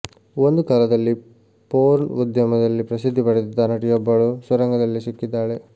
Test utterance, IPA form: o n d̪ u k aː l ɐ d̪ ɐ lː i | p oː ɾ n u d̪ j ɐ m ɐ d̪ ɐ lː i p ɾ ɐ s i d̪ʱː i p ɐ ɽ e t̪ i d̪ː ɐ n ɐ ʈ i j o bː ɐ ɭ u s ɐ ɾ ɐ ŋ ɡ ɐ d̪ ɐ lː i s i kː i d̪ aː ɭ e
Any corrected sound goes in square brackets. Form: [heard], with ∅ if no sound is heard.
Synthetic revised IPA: o n d̪ u k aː l ɐ d̪ ɐ lː i | p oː ɾ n u d̪ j ɐ m ɐ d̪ ɐ lː i p ɾ ɐ s i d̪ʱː i p ɐ ɽ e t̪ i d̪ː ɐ n ɐ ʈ i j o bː ɐ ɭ u s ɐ ɾ ɐ ŋ ɡ ɐ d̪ ɐ lː i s i kː i [d̪ː] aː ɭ e